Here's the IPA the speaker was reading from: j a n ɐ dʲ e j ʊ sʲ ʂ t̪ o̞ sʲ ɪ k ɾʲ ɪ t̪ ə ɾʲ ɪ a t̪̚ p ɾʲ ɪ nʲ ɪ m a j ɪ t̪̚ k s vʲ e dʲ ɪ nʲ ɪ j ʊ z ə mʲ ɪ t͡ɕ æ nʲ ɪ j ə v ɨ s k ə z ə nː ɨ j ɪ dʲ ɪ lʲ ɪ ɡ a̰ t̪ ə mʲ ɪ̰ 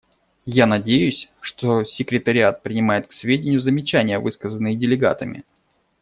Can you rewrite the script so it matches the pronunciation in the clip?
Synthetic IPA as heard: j a n ɐ dʲ e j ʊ sʲ ʂ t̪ o̞ sʲ ɪ k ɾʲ ɪ t̪ ə ɾʲ ɪ a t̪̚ p ɾʲ ɪ nʲ ɪ m a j ɪ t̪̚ k s vʲ e dʲ ɪ nʲ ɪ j ʊ z ə mʲ ɪ t͡ɕ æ nʲ ɪ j ə v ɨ s k ə z ə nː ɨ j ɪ dʲ ɪ lʲ ɪ ɡ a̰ t̪ ə mʲ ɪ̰